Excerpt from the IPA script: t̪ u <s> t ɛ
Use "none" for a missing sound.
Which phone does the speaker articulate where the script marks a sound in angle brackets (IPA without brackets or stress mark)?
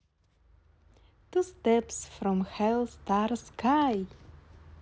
s